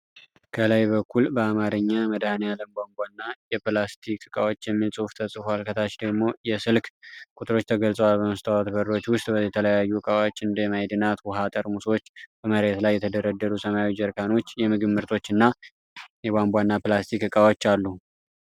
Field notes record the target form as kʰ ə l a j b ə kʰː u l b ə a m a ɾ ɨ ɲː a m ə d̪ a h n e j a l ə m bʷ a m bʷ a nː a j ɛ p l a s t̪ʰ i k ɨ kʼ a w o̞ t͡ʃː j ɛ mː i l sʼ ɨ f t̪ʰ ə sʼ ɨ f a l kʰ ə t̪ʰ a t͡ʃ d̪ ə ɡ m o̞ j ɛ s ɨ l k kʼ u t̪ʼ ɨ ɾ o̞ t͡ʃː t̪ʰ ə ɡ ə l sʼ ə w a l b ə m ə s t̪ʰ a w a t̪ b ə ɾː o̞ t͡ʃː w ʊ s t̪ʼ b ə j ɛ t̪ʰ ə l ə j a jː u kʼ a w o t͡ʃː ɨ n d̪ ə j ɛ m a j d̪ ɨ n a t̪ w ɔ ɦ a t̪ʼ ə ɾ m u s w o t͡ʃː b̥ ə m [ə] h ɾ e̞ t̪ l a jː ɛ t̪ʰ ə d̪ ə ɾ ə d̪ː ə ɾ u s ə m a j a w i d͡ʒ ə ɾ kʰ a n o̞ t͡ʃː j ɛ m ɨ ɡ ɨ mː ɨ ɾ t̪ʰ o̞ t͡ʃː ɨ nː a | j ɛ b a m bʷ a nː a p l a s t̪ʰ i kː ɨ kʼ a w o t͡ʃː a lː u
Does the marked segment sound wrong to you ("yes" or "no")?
no